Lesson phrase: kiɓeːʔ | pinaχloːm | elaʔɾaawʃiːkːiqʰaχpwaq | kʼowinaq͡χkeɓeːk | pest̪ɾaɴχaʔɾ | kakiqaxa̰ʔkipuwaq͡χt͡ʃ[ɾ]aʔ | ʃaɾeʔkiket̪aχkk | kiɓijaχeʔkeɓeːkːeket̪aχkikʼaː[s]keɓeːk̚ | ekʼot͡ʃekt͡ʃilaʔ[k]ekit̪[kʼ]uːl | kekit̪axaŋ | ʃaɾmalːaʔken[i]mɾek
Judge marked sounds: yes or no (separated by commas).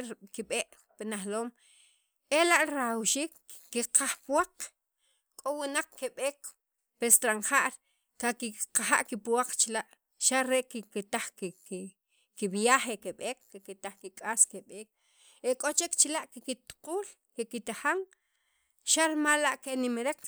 no, yes, yes, no, yes